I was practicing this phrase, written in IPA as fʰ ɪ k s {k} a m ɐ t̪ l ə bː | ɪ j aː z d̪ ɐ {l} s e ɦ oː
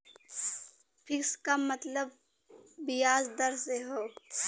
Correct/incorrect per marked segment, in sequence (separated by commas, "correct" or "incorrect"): correct, incorrect